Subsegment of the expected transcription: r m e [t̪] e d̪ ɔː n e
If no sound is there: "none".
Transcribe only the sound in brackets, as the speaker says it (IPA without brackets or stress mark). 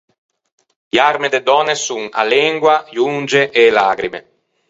d̪